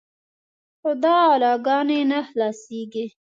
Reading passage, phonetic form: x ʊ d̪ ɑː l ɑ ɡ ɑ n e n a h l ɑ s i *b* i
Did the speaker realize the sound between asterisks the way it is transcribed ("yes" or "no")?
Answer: no